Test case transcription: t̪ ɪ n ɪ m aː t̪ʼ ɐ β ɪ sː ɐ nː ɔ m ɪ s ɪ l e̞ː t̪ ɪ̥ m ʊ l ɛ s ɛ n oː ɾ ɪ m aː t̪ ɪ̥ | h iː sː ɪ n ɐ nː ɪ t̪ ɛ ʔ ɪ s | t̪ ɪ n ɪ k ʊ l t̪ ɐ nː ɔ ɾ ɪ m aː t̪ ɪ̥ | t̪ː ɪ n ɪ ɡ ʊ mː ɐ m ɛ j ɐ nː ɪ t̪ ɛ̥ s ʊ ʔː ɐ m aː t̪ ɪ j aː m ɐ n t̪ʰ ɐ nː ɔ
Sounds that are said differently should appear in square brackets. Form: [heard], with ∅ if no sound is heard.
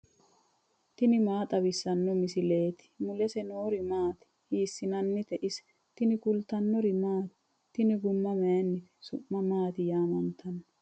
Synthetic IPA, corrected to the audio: t̪ ɪ n ɪ m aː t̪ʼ ɐ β ɪ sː ɐ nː ɔ m ɪ s ɪ l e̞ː t̪ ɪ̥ m ʊ l ɛ s ɛ n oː ɾ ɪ m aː t̪ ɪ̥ | h iː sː ɪ n ɐ nː ɪ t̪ ɛ ʔ ɪ s | t̪ ɪ n ɪ k ʊ l t̪ ɐ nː ɔ ɾ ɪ m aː t̪ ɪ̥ | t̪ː ɪ n ɪ ɡ ʊ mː ɐ m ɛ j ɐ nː ɪ t̪ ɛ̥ s ʊ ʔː ɐ m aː t̪ ɪ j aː m ɐ n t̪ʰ ɐ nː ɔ